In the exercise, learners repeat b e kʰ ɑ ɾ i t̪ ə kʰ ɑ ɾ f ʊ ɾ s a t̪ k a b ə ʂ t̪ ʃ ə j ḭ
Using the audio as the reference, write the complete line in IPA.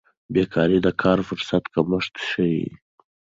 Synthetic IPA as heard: b e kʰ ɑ ɾ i d̪ ə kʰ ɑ ɾ f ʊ ɾ s a t̪ k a m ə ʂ t̪ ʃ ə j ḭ